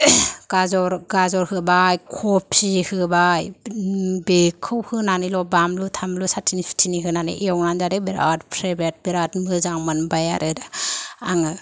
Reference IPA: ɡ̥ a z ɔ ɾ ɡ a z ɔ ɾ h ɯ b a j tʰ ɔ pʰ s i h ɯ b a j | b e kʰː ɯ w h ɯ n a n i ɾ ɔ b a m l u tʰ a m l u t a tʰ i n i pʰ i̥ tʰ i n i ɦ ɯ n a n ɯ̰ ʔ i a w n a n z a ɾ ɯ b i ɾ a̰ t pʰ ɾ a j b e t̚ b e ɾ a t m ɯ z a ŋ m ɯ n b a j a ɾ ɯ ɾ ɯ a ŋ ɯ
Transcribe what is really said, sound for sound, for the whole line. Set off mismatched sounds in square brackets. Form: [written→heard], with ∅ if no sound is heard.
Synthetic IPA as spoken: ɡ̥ a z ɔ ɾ ɡ a z ɔ ɾ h ɯ b a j [tʰ→kʰ] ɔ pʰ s i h ɯ b a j | b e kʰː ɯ w h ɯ n a n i [ɾ→l] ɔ b a m l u tʰ a m l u [t→s] a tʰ i n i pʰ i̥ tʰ i n i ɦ ɯ n a n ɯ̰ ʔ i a w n a n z a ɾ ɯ b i ɾ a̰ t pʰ ɾ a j b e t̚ b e ɾ a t m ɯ z a ŋ m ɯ n b a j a ɾ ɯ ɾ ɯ a ŋ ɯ